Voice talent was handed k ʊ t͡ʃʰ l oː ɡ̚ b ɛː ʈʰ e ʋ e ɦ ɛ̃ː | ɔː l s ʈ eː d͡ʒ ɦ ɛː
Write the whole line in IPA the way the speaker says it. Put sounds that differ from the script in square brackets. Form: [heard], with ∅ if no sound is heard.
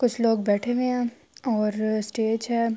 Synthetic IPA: k ʊ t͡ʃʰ l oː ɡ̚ b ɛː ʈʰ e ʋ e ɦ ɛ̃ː | ɔː [ɾ] s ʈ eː d͡ʒ ɦ ɛː